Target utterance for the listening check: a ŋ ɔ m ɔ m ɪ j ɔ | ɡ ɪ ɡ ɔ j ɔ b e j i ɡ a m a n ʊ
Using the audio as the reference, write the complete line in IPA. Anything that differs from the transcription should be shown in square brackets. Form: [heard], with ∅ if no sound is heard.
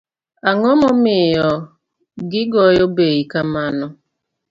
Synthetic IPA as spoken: a ŋ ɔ m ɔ m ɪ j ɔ | ɡ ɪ ɡ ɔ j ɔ b e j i [k] a m a n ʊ